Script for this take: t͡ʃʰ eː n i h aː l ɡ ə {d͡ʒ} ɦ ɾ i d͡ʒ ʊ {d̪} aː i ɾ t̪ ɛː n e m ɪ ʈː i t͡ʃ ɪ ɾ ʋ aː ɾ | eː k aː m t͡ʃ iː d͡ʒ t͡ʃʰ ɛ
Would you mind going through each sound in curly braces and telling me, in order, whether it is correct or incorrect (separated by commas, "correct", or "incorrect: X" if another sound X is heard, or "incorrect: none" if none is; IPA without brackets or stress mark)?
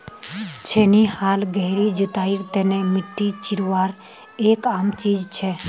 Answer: incorrect: none, incorrect: t̪